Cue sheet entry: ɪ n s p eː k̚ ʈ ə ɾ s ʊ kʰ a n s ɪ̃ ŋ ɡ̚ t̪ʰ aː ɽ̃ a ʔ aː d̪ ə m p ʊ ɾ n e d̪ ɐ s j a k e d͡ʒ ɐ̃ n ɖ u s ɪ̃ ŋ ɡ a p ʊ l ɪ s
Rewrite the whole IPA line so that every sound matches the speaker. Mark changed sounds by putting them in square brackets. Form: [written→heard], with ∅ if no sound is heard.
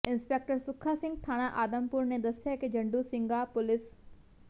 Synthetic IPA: ɪ n s p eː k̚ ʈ ə ɾ s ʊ kʰ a [n→∅] s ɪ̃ ŋ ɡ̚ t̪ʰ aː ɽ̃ a ʔ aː d̪ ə m p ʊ ɾ n e d̪ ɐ s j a k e d͡ʒ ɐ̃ [n→ɳ] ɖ u s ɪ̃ ŋ ɡ a p ʊ l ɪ s